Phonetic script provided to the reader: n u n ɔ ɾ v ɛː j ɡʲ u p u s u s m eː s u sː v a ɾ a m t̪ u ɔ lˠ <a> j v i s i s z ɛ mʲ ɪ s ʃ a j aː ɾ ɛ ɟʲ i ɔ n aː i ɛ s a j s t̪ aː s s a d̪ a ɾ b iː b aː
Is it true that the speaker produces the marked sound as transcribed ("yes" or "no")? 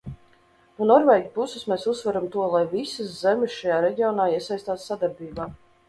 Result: yes